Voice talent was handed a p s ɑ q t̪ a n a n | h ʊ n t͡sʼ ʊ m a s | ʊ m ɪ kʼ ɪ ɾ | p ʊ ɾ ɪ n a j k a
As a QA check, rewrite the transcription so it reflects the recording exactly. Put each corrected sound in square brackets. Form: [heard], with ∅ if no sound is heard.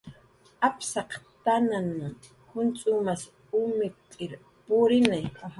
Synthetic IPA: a p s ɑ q t̪ a n a n | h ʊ n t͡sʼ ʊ m a s | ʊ m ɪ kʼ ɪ ɾ | p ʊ ɾ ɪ n a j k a